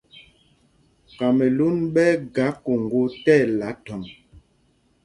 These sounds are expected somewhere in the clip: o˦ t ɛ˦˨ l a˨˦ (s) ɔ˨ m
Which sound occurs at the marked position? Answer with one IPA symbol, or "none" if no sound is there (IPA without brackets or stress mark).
t